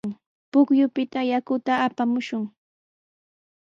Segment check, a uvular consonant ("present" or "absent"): absent